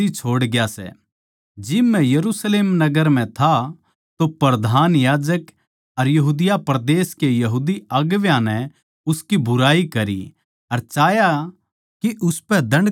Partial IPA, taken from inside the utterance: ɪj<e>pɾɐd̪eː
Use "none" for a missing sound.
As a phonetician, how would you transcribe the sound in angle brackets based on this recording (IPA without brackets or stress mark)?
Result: a